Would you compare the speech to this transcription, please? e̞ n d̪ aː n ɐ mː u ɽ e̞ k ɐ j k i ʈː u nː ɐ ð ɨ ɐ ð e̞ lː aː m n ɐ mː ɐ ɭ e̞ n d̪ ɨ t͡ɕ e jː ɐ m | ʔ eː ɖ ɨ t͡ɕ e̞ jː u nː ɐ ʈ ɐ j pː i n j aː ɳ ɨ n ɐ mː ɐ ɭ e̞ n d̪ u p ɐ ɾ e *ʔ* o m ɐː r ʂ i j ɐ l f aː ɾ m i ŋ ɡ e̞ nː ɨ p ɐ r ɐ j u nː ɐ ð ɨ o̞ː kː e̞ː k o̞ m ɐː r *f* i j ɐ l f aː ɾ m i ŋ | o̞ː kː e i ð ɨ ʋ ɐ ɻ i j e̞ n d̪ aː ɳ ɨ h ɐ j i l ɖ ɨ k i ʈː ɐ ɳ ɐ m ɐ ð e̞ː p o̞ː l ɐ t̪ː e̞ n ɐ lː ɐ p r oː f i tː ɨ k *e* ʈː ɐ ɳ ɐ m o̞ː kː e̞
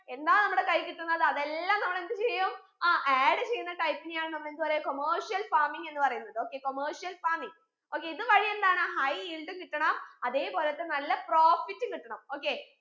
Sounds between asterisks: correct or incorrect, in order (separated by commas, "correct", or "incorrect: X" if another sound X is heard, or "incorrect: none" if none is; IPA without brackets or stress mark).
incorrect: k, incorrect: ʂ, incorrect: i